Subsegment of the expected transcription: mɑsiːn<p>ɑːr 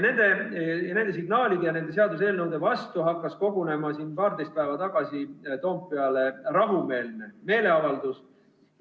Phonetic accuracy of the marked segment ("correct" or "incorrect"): correct